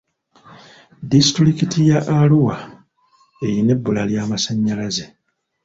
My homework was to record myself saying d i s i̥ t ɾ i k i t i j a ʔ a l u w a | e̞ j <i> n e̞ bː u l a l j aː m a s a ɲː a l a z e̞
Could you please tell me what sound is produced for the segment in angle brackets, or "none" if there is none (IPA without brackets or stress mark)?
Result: i